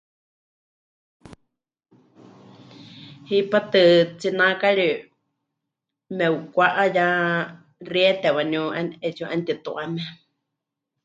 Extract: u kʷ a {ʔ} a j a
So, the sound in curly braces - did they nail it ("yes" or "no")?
yes